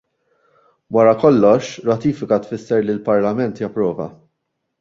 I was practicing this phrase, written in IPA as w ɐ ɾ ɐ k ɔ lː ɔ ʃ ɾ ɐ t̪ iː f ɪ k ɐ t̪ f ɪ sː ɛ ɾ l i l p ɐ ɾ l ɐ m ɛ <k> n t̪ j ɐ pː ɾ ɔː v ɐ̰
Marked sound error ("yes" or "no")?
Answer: yes